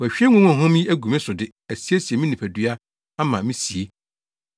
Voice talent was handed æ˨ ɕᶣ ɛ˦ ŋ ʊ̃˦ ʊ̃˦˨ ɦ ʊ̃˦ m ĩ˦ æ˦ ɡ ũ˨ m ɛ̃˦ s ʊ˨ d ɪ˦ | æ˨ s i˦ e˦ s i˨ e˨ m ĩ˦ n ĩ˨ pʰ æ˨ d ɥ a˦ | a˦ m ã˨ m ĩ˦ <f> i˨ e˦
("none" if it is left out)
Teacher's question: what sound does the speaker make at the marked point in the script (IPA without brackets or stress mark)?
s